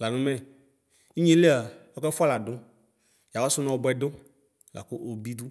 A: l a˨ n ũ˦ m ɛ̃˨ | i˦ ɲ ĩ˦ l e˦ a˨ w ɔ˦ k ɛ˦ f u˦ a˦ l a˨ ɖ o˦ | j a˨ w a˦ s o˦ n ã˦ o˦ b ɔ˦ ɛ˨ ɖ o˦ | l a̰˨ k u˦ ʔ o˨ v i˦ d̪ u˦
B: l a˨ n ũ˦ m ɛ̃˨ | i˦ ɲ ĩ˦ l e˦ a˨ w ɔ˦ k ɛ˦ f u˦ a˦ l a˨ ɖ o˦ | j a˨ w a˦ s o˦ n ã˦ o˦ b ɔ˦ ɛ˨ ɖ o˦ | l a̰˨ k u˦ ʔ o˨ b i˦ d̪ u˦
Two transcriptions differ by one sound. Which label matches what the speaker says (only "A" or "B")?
B